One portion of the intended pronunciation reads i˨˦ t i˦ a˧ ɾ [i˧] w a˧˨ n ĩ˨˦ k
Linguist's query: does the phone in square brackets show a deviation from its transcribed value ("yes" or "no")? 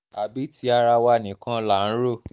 yes